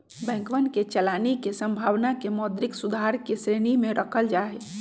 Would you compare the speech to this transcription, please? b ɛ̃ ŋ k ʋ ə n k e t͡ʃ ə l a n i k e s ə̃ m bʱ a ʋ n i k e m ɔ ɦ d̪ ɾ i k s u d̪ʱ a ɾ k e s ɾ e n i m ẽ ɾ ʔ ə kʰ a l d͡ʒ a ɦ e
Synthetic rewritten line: b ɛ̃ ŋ k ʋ ə n k e t͡ʃ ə l a n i k e s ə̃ m bʱ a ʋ n a k e m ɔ d̪ ɾ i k s u d̪ʱ a ɾ k e s ɾ e n i m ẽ ɾ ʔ ə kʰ ə l d͡ʒ a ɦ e